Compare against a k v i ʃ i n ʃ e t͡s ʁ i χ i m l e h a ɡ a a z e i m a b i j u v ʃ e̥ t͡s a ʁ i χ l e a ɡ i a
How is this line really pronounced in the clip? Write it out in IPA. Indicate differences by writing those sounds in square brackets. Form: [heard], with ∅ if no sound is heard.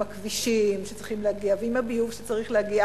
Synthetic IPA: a k v i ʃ i [m] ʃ e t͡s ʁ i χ i m l e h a ɡ [i] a [v] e i m a b i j u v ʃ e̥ t͡s a ʁ i χ l e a ɡ i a